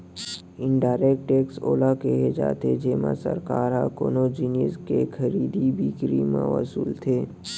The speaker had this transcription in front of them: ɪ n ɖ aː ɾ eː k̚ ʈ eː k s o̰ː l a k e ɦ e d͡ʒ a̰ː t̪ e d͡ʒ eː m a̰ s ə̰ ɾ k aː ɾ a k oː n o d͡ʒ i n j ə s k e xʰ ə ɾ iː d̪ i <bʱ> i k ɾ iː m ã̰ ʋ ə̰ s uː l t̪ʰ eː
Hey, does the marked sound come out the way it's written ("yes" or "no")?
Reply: yes